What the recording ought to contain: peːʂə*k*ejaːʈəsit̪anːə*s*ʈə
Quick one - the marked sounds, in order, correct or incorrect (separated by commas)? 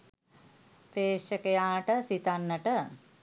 correct, incorrect